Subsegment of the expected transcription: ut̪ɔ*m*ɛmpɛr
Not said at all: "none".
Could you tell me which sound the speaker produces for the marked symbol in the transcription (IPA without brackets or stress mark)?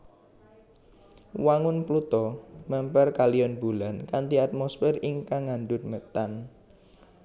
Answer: m